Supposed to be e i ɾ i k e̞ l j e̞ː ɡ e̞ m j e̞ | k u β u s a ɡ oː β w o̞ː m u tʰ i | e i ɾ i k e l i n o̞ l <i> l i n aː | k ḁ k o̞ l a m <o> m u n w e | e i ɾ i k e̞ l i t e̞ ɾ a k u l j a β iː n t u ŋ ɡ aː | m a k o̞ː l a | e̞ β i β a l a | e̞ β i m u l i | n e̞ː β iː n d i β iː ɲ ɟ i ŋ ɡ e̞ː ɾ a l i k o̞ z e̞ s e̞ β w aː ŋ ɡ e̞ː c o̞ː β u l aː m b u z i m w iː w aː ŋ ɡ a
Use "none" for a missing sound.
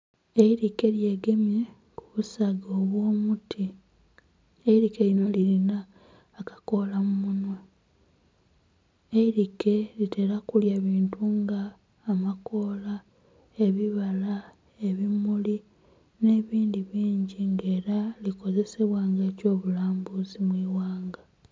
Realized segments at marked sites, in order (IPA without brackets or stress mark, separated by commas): i, u